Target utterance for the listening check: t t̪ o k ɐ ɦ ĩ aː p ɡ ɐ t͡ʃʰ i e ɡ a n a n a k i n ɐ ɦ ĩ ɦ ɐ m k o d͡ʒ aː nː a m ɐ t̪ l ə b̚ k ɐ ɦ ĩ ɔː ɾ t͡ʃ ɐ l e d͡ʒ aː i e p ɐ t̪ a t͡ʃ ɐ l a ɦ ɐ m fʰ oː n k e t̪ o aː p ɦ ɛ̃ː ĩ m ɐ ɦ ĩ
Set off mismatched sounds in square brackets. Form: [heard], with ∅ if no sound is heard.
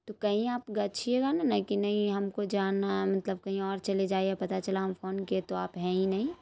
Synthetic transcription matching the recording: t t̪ o k ɐ ɦ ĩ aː p ɡ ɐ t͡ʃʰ i e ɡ a n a n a k i n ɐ ɦ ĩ ɦ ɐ m k o d͡ʒ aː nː a m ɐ t̪ l ə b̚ k ɐ ɦ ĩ ɔː ɾ t͡ʃ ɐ l e d͡ʒ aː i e p ɐ t̪ a t͡ʃ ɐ l a ɦ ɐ m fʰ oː n k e t̪ o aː p ɦ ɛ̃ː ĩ [n] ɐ ɦ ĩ